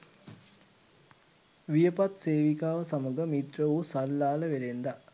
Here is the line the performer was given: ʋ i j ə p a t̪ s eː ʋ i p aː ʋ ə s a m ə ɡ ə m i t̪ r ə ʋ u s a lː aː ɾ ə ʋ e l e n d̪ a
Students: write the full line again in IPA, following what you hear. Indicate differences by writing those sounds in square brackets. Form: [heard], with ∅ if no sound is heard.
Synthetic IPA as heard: ʋ i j ə p a t̪ s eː ʋ i [k] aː ʋ ə s a m ə ɡ ə m i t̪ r ə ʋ u s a lː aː [l] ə ʋ e l e n d̪ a